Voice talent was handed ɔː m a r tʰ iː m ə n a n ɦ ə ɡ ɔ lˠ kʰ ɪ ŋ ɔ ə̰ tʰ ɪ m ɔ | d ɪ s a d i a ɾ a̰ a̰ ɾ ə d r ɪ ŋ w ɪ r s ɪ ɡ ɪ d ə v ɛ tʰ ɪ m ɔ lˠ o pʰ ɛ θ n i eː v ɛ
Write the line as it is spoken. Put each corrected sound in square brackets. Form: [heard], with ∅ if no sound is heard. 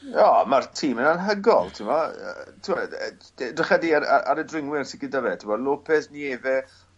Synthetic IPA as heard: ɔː m a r tʰ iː m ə n a n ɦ ə ɡ ɔ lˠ [tʰ] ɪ [m] ɔ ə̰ tʰ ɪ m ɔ | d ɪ [χ] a d i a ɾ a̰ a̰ ɾ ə d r ɪ ŋ w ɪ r s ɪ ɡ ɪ d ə v ɛ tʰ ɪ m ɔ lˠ o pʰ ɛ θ n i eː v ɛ